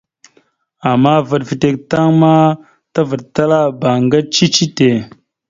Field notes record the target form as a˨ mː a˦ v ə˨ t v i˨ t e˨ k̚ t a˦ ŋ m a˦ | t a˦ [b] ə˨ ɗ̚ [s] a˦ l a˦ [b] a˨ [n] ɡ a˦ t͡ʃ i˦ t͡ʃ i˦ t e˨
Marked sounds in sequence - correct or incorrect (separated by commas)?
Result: incorrect, incorrect, correct, incorrect